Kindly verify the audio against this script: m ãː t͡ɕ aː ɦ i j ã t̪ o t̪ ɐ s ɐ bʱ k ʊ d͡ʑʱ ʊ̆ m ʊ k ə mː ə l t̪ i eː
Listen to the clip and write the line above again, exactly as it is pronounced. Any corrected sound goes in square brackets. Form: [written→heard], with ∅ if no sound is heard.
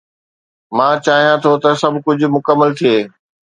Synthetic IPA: m ãː t͡ɕ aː ɦ i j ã [t̪→t̪ʰ] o t̪ ɐ s ɐ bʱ k ʊ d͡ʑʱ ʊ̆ m ʊ k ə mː ə l [t̪→t̪ʰ] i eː